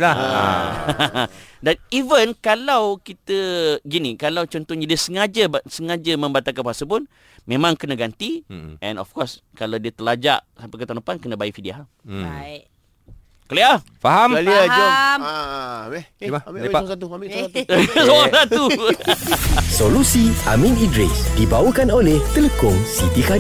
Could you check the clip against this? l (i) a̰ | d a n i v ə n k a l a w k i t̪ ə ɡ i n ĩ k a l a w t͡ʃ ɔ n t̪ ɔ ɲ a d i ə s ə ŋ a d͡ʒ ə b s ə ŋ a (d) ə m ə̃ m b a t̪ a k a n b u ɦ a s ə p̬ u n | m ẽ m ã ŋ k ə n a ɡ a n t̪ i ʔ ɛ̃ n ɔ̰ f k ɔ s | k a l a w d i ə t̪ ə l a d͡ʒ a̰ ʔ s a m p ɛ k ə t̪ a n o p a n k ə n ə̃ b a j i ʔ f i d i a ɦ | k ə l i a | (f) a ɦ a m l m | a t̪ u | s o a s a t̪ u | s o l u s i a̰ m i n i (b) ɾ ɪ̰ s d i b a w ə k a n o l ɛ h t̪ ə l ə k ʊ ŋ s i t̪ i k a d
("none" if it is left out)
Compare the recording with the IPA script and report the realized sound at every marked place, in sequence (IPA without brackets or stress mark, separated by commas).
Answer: a, d͡ʒ, f, d